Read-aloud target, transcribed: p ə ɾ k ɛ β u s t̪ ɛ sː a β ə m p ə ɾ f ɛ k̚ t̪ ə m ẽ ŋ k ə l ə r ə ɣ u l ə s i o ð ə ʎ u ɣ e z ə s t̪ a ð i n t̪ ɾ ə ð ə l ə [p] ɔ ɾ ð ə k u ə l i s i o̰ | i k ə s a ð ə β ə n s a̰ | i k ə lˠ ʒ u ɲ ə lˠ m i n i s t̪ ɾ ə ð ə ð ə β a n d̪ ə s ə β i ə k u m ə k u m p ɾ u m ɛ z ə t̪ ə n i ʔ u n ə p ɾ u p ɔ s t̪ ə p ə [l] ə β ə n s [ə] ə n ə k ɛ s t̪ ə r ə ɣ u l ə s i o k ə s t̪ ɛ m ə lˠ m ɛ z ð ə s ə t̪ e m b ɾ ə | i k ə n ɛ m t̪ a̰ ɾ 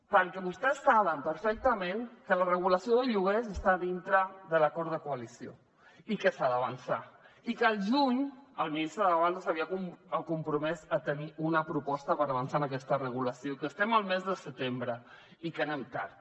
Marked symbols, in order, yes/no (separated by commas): no, no, no